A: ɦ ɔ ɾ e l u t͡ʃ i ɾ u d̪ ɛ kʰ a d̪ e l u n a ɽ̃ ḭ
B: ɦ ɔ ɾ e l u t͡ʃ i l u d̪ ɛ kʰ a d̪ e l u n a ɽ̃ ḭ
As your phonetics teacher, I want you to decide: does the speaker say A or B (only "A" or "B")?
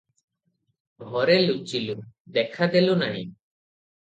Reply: B